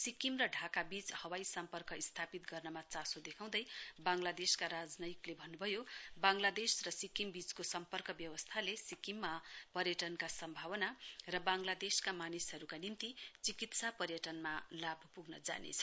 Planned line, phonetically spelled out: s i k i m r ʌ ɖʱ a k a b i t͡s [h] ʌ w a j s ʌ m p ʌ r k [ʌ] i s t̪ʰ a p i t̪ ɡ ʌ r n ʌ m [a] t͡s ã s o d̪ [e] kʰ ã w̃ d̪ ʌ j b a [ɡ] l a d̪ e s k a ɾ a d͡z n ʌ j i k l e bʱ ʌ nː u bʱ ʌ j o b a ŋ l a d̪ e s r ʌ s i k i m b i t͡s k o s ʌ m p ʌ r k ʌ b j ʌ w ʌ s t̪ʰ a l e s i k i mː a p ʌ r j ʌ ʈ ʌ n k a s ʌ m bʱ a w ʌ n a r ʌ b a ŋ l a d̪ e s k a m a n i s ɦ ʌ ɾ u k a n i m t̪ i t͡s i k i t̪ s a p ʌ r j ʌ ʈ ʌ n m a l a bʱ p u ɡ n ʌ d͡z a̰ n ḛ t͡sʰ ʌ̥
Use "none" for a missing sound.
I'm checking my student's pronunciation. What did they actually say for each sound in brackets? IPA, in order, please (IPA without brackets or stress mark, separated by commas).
h, ʌ, a, e, ŋ